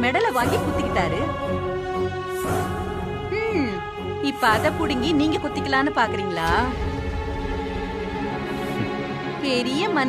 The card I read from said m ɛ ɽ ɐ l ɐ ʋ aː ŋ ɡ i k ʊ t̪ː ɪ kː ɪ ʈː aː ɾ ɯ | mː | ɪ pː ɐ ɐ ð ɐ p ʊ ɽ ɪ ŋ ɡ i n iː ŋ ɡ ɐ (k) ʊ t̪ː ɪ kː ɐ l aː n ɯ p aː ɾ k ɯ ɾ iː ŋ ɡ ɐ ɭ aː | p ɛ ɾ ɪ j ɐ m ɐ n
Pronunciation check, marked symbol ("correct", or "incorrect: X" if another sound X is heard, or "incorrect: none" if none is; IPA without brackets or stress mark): correct